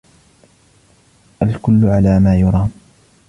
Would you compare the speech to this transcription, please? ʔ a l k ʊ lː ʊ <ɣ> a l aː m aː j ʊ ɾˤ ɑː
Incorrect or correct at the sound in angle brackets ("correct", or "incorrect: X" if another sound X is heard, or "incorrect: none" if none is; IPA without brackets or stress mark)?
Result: incorrect: ʕ